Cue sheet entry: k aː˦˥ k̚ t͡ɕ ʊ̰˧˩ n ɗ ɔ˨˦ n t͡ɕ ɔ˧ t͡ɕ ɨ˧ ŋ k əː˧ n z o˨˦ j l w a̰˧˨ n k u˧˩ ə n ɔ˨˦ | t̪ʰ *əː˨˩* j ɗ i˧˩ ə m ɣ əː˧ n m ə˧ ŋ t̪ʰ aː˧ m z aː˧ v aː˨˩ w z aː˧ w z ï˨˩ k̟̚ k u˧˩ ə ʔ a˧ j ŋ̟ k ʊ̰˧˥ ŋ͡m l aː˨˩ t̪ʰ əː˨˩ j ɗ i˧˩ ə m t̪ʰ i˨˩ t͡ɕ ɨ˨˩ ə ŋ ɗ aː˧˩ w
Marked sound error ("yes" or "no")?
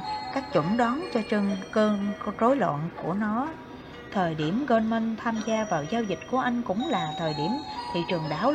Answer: no